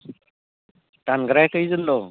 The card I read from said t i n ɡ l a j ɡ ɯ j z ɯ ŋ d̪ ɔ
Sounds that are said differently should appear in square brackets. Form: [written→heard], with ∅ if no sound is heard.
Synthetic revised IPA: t [i→a] n ɡ [l→ɾ] a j [ɡ→k] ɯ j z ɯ [ŋ→n] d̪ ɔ